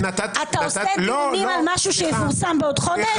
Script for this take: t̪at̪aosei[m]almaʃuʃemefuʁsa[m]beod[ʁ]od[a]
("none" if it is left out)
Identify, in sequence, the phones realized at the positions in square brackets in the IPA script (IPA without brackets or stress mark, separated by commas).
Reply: m, m, χ, e